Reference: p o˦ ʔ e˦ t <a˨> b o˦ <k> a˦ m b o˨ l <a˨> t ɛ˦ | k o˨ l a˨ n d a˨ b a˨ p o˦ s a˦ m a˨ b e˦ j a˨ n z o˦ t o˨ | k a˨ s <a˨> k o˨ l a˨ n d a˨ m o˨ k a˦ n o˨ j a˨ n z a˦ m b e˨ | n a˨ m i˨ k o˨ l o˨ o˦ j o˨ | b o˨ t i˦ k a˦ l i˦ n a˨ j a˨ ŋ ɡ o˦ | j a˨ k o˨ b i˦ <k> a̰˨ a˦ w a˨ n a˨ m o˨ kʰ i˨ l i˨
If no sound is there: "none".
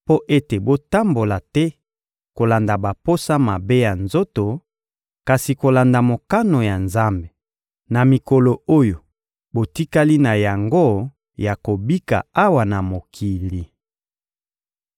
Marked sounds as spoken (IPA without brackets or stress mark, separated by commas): e˨, t, a˨, i˨, k